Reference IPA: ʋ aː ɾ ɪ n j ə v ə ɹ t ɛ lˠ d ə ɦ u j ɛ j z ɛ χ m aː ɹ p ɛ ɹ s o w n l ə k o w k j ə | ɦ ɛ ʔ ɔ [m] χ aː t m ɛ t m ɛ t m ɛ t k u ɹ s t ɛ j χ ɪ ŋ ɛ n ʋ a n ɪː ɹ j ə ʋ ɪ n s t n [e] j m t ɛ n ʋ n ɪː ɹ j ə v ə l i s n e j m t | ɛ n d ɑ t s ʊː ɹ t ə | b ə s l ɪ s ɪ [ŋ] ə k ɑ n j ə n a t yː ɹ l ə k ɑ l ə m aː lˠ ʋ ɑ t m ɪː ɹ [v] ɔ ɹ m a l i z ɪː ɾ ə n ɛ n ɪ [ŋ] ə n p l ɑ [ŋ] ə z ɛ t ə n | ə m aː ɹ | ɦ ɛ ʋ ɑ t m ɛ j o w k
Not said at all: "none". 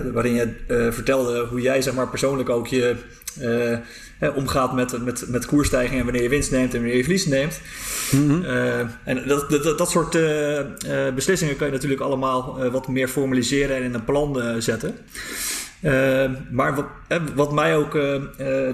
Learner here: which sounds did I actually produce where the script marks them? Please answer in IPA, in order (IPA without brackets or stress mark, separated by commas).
m, e, ŋ, f, n, n